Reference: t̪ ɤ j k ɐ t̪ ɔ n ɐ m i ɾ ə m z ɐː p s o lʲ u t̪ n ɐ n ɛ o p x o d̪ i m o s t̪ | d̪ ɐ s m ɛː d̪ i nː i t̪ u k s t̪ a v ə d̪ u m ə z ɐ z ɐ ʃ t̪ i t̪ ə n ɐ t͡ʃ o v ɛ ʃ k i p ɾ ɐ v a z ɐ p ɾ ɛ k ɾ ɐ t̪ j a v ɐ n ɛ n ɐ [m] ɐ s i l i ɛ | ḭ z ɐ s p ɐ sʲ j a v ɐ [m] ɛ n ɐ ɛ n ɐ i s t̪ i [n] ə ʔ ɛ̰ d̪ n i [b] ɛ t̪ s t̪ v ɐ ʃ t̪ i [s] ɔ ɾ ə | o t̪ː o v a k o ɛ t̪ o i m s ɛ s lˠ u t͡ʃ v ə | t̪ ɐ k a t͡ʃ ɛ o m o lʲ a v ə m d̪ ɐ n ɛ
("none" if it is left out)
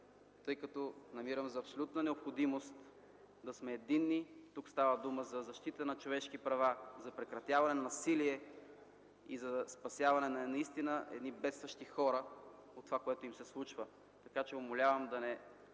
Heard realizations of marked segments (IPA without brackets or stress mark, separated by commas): n, n, n, b, x